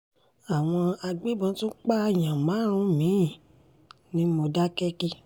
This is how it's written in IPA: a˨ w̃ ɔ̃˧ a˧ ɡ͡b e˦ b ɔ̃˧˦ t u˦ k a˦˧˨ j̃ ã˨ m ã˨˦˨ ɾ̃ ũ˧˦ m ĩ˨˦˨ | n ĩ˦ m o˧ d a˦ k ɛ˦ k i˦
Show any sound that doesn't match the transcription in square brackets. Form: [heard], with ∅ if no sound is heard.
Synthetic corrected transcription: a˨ w̃ ɔ̃˧ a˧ ɡ͡b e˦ b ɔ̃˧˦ t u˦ [k͡p] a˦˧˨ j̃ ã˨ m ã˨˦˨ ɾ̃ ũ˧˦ m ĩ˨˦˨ | n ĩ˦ m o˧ d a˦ k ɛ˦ k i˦